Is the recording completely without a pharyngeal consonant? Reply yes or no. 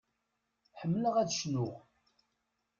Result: no